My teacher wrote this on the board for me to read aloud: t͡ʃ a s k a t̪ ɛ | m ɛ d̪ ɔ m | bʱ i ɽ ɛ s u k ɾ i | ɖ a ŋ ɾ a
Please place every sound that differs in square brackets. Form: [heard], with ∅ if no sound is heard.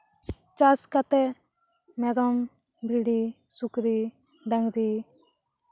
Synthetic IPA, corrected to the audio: t͡ʃ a s k a t̪ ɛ | m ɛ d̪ ɔ m | bʱ i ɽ [i] s u k ɾ i | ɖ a ŋ ɾ [i]